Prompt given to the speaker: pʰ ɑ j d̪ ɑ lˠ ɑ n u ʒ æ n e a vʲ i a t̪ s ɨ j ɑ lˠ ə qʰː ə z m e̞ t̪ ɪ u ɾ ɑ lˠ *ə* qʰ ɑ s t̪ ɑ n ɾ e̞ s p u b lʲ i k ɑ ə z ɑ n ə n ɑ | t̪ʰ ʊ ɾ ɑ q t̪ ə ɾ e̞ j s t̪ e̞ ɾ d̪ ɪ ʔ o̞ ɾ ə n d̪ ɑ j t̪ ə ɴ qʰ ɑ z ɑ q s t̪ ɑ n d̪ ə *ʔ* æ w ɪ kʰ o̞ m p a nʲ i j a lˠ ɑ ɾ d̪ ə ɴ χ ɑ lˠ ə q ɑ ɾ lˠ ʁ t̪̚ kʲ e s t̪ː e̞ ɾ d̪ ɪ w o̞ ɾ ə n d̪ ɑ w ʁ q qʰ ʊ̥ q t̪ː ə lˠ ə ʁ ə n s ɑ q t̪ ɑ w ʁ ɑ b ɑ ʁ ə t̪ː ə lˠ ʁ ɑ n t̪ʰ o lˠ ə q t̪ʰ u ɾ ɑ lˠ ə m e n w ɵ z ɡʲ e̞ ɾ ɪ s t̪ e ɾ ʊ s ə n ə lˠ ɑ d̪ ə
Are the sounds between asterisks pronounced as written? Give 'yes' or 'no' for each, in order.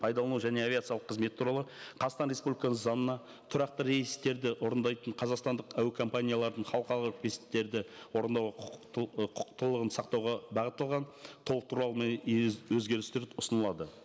yes, no

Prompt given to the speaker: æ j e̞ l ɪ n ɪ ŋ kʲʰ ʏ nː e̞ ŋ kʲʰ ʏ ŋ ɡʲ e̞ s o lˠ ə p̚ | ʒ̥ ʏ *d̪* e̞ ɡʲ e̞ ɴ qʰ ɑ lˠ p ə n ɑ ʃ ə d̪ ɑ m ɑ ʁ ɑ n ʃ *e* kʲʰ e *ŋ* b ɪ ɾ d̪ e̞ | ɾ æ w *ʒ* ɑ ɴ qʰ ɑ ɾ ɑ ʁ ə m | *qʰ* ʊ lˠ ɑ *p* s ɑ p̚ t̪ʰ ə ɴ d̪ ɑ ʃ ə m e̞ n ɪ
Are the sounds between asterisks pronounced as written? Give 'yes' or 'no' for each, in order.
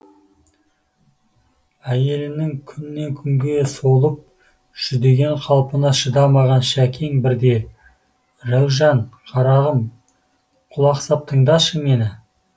yes, no, yes, yes, yes, no

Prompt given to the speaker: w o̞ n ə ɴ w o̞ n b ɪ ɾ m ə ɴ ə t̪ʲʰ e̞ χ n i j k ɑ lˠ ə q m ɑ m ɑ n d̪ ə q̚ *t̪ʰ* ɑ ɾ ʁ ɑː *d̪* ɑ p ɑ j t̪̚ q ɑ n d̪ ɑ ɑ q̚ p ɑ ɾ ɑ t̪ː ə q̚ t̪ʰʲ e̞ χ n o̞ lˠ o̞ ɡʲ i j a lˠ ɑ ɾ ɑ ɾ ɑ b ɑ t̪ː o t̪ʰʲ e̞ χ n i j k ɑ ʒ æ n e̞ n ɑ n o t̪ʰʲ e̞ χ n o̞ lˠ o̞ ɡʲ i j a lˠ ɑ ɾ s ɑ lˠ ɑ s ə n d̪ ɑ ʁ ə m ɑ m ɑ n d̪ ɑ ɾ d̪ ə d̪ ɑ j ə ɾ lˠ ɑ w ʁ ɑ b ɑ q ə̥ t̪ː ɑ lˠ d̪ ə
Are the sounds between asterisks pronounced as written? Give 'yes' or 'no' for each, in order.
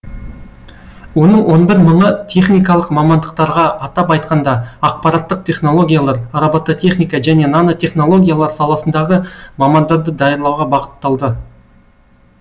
no, no

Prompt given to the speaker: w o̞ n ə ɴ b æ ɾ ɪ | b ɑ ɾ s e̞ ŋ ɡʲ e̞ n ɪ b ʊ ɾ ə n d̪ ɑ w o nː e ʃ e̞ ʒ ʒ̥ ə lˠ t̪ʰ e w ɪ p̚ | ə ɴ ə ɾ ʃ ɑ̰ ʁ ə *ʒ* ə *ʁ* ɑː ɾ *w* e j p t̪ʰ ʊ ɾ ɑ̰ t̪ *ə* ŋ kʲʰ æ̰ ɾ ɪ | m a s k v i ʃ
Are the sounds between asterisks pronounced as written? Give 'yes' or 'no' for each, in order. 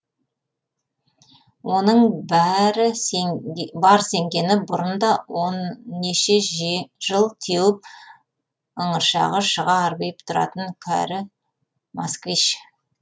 no, yes, no, yes

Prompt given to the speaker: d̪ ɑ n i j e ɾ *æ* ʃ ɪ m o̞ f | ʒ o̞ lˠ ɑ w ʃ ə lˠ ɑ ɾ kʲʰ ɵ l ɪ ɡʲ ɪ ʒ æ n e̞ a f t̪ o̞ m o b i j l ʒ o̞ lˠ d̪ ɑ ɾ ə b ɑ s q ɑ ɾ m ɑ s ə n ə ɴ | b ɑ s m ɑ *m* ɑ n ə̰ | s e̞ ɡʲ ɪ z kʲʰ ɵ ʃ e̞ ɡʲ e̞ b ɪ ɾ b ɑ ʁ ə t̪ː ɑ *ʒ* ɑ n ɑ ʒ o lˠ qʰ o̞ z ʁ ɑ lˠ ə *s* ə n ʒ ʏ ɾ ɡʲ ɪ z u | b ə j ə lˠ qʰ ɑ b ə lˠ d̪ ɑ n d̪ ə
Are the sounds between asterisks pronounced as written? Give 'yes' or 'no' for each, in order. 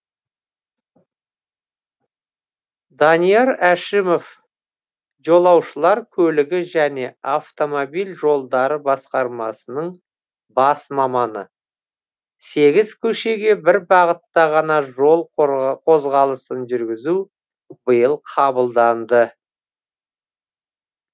yes, yes, no, yes

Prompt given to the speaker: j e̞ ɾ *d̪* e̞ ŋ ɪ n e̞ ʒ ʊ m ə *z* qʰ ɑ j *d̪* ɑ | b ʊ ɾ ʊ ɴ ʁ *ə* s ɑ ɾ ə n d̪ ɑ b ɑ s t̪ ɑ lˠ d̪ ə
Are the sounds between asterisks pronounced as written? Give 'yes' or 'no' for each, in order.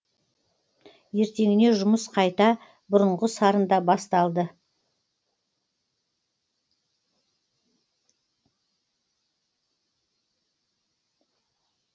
no, no, no, yes

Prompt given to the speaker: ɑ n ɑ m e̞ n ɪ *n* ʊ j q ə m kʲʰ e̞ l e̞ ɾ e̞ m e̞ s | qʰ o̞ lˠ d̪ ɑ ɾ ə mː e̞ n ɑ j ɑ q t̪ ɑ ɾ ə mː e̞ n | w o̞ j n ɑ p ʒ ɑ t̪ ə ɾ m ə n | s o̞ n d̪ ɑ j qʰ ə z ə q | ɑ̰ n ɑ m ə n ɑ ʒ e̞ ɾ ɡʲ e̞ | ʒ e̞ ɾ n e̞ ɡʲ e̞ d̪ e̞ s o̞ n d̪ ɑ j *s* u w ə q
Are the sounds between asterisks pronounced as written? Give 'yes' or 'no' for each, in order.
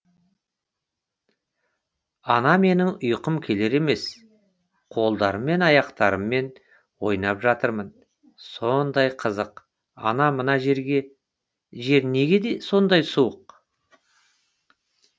no, yes

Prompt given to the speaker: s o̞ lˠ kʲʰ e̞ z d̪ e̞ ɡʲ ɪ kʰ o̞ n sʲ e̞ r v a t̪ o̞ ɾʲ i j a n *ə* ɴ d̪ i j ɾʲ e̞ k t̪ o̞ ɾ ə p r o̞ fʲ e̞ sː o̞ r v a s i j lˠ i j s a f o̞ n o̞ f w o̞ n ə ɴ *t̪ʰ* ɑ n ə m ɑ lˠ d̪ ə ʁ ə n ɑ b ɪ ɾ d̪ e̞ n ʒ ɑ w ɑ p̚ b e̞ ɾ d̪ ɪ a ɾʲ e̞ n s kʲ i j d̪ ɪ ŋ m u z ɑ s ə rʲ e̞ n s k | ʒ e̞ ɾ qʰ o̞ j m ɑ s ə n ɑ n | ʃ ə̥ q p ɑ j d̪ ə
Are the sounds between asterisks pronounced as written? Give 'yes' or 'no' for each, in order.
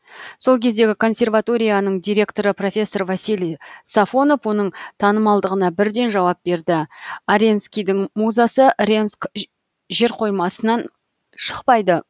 yes, yes

